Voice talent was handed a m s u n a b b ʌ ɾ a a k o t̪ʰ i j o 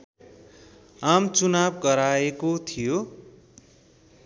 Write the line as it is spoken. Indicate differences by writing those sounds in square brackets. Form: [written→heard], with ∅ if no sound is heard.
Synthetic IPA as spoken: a m [s→t͡s] u n a b [b→ɡ] ʌ ɾ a [a→e] k o t̪ʰ i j o